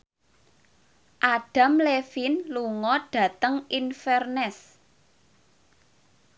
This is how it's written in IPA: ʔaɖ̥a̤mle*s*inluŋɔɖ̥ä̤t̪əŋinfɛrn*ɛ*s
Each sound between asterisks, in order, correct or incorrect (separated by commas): incorrect, correct